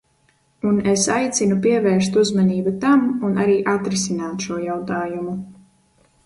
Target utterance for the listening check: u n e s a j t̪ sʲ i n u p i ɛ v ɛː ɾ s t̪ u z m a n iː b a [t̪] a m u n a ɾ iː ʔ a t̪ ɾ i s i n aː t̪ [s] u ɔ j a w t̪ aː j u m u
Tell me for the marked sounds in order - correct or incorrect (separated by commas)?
correct, incorrect